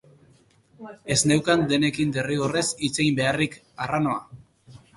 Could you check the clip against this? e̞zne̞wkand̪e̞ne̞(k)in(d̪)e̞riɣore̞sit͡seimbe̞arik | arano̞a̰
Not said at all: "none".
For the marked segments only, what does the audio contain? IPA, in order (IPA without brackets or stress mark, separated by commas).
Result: k, d̪